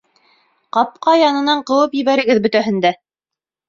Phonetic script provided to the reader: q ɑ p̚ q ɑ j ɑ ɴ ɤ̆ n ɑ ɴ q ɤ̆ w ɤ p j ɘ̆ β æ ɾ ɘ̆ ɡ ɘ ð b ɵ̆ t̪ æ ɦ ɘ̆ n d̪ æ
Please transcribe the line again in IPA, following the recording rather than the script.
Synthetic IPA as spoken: q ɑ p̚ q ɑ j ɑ n ɤ̆ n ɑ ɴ q ɤ̆ w ɤ p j ɘ̆ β æ ɾ ɘ̆ ɡ ɘ ð b ɵ̆ t̪ æ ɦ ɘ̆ n d̪ æ